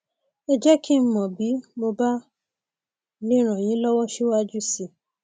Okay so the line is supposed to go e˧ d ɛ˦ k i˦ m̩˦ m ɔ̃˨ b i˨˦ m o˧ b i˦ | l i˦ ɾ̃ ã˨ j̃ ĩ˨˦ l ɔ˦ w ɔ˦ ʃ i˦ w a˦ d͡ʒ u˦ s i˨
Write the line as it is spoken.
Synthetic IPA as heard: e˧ d͡ʒ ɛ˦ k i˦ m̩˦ m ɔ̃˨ b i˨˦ m o˧ b a˦ | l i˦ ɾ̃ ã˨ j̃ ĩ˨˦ l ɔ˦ w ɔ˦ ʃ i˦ w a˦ d͡ʒ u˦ s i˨